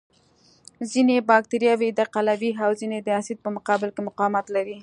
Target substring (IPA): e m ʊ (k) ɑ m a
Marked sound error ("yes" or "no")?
yes